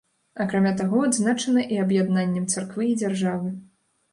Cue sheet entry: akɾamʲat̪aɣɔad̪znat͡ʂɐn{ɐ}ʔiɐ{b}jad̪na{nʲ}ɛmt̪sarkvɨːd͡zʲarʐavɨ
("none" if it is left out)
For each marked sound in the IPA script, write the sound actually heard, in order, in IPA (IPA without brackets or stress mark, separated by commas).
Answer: ɐ, b, nʲː